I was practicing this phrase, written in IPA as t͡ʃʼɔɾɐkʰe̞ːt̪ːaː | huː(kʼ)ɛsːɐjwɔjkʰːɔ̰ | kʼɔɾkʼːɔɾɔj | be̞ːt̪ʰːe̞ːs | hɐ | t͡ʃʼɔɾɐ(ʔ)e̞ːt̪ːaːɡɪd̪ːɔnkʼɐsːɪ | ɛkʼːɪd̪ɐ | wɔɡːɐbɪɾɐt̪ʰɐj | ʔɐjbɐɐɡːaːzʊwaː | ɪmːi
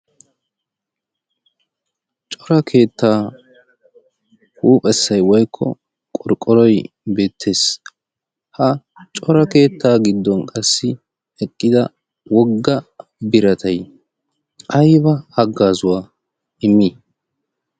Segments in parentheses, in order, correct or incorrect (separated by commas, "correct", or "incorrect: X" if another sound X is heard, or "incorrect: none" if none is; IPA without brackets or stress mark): incorrect: pʼ, incorrect: k